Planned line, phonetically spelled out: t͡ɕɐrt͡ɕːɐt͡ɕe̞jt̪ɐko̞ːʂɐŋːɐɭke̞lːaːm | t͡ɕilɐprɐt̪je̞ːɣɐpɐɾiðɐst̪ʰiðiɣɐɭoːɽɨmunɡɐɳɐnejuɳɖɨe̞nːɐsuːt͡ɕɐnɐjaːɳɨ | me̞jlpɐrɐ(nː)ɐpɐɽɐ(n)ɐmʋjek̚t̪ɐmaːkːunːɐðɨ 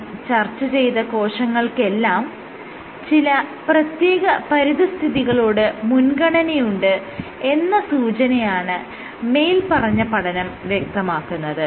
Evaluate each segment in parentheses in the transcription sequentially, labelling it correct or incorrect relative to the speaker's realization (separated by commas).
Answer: incorrect, correct